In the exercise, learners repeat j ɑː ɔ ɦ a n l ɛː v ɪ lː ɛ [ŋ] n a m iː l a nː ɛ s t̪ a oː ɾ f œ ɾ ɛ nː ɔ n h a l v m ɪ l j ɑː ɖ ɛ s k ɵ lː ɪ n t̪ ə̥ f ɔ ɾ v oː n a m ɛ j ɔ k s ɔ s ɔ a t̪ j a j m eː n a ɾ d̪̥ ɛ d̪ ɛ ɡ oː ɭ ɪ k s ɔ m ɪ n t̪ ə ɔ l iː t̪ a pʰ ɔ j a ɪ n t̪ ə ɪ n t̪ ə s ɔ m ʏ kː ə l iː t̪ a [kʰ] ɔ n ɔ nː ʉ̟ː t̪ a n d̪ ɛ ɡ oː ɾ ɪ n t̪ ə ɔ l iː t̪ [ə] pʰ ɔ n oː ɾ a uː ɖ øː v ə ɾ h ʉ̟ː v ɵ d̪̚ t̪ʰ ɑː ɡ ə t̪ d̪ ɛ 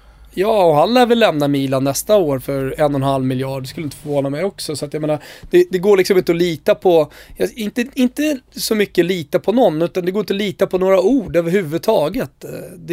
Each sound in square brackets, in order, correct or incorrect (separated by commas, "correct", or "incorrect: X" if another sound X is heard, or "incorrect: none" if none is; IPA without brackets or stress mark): incorrect: m, incorrect: pʰ, incorrect: a